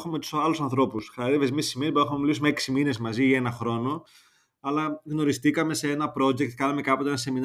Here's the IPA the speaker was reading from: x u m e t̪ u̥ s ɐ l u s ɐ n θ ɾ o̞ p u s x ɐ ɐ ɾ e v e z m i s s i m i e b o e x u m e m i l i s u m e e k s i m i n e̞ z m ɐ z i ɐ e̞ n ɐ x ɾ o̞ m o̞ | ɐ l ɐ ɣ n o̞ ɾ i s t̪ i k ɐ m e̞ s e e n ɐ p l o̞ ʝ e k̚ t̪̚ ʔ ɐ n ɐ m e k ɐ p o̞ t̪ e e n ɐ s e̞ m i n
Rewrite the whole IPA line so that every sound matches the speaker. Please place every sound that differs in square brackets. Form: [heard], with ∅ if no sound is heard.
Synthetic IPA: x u m e t̪ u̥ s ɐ l u s ɐ n θ ɾ o̞ p u s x ɐ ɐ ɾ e v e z m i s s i m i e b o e x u m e m i l i s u m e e k s i m i n e̞ z m ɐ z i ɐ e̞ n ɐ x ɾ o̞ [n] o̞ | ɐ l ɐ ɣ n o̞ ɾ i s t̪ i k ɐ m e̞ s e e n ɐ p [ɾ] o̞ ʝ e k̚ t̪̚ [k] ɐ n ɐ m e k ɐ p o̞ t̪ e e n ɐ s e̞ m i n